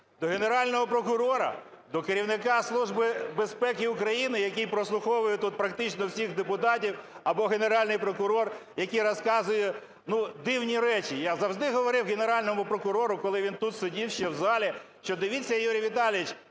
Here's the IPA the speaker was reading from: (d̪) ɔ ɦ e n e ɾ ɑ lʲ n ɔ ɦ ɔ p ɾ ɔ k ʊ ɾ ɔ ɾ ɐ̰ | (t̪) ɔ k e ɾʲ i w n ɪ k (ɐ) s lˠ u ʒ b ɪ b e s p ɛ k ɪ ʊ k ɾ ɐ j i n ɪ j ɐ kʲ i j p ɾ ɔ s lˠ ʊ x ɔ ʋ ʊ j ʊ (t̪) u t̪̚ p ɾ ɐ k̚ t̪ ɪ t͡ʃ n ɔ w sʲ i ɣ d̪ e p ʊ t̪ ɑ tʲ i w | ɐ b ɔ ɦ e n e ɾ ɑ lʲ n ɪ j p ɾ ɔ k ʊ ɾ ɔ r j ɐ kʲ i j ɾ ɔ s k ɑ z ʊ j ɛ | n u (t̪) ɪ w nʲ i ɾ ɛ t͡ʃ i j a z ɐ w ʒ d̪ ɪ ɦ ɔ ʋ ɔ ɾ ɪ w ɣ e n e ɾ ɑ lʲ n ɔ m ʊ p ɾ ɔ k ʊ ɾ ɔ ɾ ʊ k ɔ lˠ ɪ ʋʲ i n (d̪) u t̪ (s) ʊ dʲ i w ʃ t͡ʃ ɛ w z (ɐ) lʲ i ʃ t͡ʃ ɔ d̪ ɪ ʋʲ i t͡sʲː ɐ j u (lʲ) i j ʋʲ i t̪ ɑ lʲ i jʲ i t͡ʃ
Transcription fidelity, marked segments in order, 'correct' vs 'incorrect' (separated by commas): correct, incorrect, incorrect, correct, incorrect, incorrect, correct, incorrect, incorrect